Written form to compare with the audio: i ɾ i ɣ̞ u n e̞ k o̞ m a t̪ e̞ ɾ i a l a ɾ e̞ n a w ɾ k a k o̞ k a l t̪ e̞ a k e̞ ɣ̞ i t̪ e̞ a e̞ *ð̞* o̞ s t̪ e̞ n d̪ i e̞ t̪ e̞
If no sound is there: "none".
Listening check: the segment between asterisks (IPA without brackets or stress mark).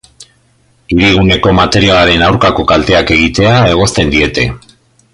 ɣ̞